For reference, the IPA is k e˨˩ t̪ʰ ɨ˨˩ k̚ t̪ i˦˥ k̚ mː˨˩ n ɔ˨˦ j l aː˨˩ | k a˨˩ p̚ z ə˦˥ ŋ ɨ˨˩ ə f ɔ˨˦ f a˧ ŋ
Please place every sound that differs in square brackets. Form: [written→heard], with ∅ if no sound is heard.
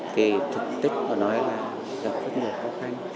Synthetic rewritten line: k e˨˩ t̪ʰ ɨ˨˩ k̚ t̪ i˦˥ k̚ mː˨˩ n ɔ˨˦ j l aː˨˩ | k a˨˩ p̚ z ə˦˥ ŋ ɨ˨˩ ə [f→x] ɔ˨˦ [f→x] a˧ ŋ